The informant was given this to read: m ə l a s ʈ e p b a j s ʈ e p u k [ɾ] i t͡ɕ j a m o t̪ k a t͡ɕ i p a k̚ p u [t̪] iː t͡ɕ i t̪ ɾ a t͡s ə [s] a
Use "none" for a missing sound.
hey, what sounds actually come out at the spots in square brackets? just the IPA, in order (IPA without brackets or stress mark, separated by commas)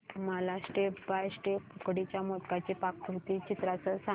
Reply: ɽ, t̪, s